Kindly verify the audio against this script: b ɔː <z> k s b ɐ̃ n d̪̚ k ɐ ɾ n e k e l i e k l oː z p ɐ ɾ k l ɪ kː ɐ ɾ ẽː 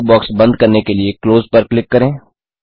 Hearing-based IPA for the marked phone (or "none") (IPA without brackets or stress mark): none